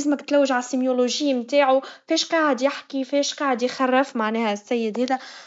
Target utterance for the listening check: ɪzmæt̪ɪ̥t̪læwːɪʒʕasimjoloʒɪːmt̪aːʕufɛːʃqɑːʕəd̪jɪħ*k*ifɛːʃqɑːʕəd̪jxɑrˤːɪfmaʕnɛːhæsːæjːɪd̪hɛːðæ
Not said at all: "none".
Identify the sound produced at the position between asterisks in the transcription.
k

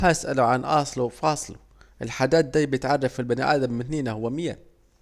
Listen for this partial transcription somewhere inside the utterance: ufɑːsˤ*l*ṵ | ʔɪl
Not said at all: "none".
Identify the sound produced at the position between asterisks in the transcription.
l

